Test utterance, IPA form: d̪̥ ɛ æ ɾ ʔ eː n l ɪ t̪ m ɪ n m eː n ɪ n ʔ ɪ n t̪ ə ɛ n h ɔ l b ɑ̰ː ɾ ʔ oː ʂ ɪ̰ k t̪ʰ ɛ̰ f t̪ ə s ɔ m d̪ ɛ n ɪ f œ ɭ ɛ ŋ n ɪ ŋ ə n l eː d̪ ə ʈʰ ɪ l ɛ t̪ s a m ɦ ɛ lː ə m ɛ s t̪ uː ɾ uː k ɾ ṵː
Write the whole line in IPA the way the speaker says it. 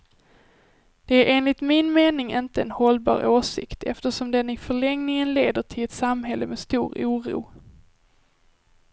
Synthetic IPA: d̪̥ ɛ æ ɾ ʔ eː n l ɪ t̪ m ɪ n m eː n ɪ ŋ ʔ ɪ n t̪ ə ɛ n h ɔ l b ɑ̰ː ɾ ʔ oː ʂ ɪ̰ k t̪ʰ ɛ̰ f t̪ ə ʂ ɔ m d̪ ɛ n ɪ f œ ɭ ɛ ŋ n ɪ ŋ ə n l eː d̪ ə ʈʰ ɪ l ɛ t̪ s a m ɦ ɛ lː ə m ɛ s t̪ uː ɾ uː ɾ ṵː